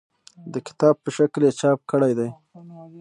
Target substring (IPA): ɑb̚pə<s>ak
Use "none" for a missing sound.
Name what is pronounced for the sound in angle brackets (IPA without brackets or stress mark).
ʃ